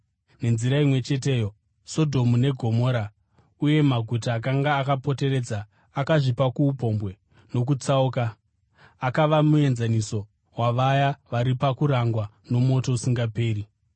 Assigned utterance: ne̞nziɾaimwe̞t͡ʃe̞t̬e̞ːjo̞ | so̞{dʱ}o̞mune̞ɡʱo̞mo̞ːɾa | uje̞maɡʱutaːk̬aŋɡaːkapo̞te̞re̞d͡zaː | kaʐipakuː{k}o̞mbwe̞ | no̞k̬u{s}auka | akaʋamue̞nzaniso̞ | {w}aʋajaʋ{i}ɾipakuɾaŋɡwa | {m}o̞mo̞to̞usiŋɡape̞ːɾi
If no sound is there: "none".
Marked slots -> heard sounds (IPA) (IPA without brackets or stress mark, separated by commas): dʱ, p, t͡s, w, a, n